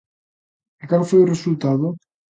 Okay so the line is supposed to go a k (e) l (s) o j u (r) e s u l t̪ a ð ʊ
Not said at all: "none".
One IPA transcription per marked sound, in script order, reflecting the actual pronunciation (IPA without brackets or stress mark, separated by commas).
a, f, r